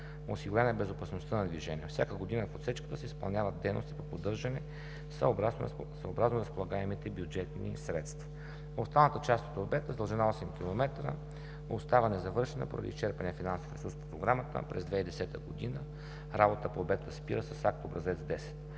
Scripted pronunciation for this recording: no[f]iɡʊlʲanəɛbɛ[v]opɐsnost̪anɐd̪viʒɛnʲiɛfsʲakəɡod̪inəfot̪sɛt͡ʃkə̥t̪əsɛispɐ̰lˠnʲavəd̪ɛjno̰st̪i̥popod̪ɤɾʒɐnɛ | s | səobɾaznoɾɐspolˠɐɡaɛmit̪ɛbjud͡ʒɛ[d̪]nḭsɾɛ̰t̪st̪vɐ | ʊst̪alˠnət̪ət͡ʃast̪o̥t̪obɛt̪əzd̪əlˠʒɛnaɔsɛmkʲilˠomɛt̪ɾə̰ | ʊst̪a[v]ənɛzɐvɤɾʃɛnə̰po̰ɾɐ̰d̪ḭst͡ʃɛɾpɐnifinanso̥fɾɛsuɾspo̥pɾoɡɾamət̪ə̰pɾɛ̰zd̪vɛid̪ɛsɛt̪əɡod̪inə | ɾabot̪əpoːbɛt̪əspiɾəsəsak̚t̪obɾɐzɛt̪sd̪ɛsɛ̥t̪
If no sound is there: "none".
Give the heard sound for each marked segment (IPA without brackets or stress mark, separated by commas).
s, z, t̪, v